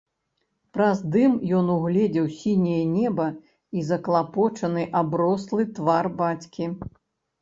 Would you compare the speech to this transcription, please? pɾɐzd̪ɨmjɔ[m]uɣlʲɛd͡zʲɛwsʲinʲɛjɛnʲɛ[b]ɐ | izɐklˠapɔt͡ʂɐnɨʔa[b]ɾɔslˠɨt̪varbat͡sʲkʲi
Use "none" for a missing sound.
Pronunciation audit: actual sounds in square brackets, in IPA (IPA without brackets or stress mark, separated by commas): n, b, b